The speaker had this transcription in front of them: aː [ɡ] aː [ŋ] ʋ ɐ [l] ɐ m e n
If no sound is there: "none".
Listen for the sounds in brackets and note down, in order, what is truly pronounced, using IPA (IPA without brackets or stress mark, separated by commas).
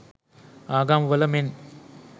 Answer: ɡ, m, l